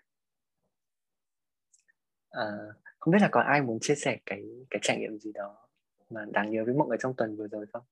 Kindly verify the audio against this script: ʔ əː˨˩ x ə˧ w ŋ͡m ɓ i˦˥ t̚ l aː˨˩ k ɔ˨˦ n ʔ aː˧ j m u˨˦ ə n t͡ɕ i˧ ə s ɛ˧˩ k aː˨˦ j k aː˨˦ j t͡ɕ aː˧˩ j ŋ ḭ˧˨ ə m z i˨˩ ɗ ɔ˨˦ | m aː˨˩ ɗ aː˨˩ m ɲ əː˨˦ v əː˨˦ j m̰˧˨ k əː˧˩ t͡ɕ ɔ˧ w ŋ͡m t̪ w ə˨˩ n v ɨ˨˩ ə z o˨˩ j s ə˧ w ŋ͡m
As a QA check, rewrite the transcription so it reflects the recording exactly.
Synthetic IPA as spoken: ʔ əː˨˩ x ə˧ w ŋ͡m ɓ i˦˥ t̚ l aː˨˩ k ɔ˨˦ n ʔ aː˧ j m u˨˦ ə n t͡ɕ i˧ ə s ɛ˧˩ k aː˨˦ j k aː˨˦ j t͡ɕ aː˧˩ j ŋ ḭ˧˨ ə m z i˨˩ ɗ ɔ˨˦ | m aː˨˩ ɗ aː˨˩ ŋ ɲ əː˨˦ v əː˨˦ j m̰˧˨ ʔ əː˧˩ t͡ɕ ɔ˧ w ŋ͡m t̪ w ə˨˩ n v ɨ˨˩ ə z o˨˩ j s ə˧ w ŋ͡m